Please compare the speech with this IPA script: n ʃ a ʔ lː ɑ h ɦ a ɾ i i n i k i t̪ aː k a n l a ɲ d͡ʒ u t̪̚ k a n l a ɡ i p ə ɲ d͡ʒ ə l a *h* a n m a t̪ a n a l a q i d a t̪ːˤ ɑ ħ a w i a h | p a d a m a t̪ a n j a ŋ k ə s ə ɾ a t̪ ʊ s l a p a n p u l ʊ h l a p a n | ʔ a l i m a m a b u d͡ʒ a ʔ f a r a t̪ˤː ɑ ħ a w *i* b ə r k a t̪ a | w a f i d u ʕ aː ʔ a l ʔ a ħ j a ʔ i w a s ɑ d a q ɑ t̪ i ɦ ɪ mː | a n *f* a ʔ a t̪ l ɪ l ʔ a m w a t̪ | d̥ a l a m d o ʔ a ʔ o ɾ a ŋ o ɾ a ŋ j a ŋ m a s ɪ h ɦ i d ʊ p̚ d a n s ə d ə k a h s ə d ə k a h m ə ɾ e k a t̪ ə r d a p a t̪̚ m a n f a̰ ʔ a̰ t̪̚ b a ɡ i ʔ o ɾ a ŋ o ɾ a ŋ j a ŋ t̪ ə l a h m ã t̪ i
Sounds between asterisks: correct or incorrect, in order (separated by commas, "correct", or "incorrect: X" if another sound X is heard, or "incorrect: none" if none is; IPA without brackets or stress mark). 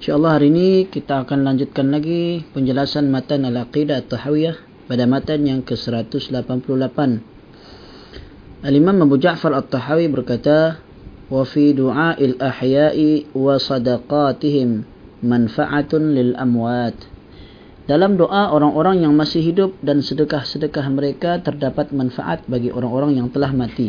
incorrect: s, correct, correct